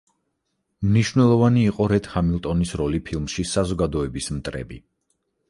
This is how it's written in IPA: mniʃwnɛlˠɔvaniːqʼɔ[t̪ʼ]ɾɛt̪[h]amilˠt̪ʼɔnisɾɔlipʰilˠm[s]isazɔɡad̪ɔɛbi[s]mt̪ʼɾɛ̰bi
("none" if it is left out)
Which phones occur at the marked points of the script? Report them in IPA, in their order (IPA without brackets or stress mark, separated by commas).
none, h, ʃ, s